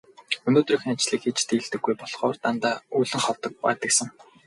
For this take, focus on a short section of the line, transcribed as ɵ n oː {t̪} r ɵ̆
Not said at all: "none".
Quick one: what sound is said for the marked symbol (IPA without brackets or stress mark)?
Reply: t̪